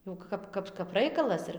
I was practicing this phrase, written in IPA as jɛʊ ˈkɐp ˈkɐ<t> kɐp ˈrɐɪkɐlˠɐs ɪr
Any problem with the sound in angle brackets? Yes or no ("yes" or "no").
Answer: yes